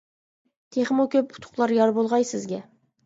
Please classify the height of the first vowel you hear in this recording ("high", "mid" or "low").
mid